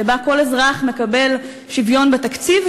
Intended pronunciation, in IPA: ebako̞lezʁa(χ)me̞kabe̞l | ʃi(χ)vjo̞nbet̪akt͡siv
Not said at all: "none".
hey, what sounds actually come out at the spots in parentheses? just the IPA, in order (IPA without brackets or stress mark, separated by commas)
χ, none